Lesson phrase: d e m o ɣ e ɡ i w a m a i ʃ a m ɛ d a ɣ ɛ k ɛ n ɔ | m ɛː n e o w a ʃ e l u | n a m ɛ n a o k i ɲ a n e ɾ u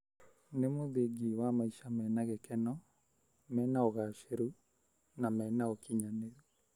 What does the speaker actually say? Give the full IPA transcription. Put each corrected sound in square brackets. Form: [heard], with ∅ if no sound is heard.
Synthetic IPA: [n] e m o [ð] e ɡ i w a m a i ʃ a m ɛ [n] a ɣ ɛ k ɛ n ɔ | m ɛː n [a] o [ɣ] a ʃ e [ɾ] u | n a m ɛ n a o k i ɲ a n e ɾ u